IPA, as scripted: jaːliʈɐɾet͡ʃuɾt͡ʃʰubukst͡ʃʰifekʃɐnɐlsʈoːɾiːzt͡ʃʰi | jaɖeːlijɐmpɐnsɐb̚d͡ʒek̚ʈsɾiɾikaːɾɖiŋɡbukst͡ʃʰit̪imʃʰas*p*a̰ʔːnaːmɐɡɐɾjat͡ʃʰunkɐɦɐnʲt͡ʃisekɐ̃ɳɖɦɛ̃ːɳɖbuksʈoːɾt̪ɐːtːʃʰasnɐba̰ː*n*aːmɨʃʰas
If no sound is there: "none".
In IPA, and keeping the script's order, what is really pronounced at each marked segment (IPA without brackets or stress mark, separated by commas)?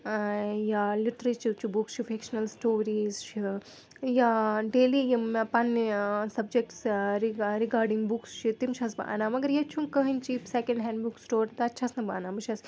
b, n